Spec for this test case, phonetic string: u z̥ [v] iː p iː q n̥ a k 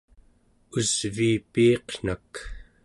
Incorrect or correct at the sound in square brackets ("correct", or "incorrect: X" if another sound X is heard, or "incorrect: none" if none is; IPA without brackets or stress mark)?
correct